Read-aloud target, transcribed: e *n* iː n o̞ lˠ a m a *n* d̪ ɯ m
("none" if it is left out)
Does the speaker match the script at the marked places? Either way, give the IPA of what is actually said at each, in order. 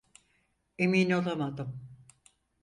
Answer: m, none

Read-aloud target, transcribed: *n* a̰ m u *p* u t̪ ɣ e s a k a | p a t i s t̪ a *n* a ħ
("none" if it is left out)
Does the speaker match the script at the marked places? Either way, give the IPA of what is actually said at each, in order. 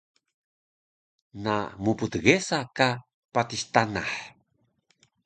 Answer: n, p, n

